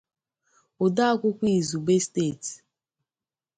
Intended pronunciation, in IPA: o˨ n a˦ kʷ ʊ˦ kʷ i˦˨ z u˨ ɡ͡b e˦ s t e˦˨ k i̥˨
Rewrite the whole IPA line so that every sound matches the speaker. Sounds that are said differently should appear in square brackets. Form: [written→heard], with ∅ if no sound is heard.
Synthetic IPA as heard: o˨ [n→d] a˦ kʷ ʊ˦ kʷ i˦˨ z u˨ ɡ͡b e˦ s t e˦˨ [k→t] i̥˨